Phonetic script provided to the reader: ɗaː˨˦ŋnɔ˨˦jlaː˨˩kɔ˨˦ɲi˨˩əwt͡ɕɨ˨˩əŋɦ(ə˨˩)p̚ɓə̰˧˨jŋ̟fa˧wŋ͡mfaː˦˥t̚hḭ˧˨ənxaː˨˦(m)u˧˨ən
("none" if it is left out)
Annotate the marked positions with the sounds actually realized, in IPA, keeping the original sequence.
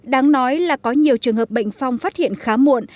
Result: əː˨˩, m

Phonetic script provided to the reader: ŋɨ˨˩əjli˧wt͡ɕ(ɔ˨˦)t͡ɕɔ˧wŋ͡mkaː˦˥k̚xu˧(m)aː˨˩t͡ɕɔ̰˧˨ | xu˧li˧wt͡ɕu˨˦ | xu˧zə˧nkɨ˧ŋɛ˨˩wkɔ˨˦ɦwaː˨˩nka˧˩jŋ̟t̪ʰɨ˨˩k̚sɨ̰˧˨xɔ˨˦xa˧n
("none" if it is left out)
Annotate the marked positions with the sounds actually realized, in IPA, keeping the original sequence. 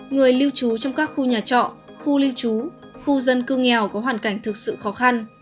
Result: u˨˦, ɲ

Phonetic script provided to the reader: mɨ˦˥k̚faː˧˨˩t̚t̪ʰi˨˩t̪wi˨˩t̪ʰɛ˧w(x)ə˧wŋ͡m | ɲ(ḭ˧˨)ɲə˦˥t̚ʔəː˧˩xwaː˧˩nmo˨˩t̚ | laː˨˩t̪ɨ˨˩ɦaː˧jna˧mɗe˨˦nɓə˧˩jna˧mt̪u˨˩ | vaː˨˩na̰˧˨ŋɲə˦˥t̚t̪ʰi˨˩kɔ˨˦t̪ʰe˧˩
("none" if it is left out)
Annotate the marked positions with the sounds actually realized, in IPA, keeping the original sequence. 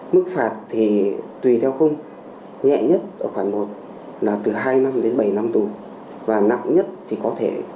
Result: x, ɛ̰˧˨

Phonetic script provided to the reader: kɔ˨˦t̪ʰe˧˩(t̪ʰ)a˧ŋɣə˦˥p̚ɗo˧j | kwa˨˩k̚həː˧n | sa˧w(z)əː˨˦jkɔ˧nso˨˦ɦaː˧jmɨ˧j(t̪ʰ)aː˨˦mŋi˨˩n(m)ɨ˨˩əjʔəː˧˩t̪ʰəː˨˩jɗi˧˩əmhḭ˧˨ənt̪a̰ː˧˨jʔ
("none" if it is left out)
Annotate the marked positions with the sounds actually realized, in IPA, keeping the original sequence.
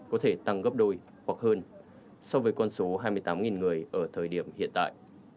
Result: t̪, v, t̪, ŋ

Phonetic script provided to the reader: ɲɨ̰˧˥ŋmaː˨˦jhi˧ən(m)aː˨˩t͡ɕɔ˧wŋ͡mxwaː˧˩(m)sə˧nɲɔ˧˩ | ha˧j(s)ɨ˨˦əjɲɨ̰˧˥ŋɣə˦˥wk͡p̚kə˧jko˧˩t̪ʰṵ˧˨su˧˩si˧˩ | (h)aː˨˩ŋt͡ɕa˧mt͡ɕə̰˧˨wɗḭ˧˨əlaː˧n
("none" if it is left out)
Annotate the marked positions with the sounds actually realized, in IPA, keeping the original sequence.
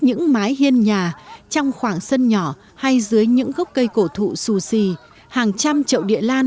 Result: ɲ, ŋ, z, h

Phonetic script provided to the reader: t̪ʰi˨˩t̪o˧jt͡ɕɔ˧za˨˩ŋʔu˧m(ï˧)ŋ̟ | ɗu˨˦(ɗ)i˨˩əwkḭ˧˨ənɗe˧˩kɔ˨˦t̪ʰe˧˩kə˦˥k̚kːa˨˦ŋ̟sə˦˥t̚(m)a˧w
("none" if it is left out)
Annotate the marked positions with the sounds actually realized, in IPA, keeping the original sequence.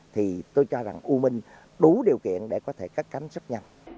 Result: ï˧, ɗ, ɲ

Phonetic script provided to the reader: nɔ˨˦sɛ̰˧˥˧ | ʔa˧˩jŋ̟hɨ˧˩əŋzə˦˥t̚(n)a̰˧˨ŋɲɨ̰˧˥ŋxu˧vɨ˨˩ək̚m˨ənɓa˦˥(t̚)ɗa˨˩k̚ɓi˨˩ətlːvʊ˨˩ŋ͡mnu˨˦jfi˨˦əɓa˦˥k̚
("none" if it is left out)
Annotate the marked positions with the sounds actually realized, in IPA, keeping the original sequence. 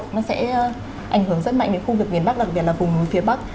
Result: m, k̚

